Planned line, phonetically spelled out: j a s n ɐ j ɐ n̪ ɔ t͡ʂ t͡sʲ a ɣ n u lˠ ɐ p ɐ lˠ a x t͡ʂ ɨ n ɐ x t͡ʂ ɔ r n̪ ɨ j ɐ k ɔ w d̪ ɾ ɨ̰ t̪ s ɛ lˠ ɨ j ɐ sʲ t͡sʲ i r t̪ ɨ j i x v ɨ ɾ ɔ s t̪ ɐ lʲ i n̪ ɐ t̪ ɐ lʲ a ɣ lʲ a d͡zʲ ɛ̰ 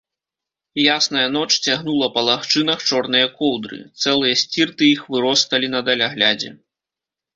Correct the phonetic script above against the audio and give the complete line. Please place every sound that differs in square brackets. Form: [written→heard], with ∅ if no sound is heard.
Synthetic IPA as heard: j a s n ɐ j ɐ n̪ ɔ t͡ʂ t͡sʲ a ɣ n u lˠ ɐ p ɐ lˠ a x t͡ʂ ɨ n ɐ x t͡ʂ ɔ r n̪ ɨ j ɐ k ɔ w d̪ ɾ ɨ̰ t̪ s ɛ lˠ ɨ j ɐ sʲ t͡sʲ i r t̪ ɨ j i x v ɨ ɾ ɔ s t̪ ɐ lʲ i n̪ ɐ [t̪→d̪] ɐ lʲ a ɣ lʲ a d͡zʲ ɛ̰